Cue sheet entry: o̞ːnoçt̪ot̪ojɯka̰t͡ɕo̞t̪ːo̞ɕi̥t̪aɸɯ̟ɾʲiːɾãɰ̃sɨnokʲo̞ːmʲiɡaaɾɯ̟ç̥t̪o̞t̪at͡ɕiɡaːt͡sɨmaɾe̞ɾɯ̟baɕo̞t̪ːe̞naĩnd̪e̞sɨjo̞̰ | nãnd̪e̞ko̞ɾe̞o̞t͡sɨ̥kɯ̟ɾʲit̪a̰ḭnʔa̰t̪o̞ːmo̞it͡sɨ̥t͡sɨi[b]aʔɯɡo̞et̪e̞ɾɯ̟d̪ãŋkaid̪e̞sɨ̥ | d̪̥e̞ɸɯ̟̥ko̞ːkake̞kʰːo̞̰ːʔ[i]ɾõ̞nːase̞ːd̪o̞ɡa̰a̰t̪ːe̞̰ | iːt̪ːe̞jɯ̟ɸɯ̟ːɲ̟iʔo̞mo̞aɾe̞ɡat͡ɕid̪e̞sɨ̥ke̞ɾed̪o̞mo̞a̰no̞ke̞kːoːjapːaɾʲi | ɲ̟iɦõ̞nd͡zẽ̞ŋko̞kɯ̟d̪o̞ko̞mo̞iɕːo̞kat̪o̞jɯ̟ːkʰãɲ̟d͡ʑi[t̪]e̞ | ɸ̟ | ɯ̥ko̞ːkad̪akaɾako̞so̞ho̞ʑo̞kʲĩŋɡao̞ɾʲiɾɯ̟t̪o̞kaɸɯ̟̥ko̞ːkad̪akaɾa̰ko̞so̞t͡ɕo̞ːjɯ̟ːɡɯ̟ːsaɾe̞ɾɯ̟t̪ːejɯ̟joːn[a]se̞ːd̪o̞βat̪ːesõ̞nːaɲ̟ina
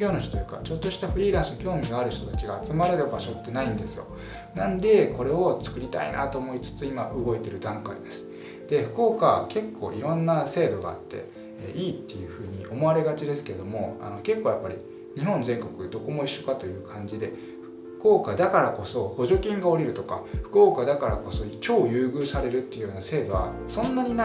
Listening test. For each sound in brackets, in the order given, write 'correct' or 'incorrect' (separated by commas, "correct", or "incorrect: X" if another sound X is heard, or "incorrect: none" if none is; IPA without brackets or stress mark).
incorrect: m, correct, incorrect: d̪, correct